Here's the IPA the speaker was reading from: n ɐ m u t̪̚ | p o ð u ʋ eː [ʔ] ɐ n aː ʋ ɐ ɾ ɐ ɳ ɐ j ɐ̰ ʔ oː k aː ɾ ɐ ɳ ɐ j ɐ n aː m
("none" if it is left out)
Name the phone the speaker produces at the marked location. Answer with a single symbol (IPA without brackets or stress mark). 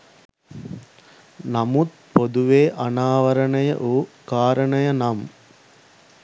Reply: ʔ